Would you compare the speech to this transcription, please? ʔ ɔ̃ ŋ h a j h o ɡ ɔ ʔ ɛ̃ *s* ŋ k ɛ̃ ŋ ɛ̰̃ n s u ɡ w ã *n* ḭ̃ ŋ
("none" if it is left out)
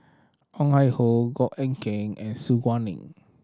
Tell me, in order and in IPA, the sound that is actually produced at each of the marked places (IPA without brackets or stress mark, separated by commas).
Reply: none, n